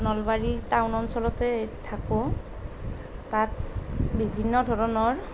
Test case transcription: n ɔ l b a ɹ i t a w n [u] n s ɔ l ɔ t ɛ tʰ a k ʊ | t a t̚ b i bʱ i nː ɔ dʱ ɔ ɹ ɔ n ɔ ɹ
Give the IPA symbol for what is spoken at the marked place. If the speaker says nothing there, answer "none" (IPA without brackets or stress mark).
ɔ